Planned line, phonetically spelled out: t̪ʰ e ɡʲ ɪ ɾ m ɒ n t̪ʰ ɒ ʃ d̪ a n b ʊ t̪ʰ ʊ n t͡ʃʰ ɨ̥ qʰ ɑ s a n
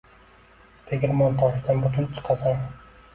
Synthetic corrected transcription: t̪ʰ e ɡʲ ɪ ɾ m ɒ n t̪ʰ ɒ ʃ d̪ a n b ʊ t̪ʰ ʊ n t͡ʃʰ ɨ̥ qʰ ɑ s a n